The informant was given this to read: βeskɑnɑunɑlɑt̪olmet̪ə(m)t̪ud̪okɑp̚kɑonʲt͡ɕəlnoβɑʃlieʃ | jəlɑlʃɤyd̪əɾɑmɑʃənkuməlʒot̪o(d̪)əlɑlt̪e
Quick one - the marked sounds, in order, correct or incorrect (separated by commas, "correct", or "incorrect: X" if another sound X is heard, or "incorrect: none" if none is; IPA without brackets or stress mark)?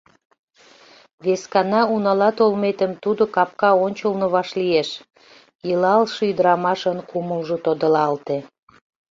correct, correct